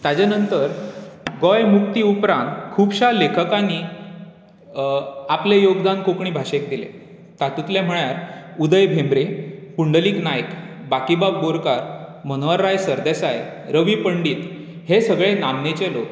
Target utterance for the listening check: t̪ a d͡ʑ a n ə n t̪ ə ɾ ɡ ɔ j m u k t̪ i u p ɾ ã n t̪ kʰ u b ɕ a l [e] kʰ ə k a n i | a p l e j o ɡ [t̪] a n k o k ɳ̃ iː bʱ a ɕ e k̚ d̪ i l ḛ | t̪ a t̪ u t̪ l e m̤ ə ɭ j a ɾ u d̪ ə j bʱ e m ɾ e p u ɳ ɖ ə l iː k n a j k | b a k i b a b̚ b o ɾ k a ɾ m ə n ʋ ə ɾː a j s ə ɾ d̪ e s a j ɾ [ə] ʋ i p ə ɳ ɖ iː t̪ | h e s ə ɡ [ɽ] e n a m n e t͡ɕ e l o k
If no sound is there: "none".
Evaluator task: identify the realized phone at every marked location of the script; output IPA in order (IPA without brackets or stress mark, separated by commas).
e, d̪, ə, ɭ